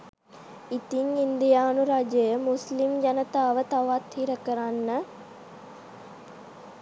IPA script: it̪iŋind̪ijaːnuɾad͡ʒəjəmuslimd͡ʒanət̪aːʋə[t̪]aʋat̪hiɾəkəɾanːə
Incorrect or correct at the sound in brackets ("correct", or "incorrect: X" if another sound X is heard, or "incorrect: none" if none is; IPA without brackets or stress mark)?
correct